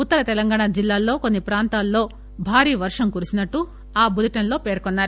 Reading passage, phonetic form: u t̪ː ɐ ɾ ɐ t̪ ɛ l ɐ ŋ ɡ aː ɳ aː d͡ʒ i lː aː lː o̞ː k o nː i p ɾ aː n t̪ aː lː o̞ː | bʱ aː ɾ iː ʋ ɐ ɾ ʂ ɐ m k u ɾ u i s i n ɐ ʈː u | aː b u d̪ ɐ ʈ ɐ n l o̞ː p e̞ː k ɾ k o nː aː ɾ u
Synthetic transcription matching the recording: u t̪ː ɐ ɾ ɐ t̪ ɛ l ɐ ŋ ɡ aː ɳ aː d͡ʒ i lː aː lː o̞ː k o nː i p ɾ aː n t̪ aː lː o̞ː | bʱ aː ɾ iː ʋ ɐ ɾ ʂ ɐ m k u ɾ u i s i n ɐ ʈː u | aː b u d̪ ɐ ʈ ɐ n l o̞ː p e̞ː ɾ k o nː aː ɾ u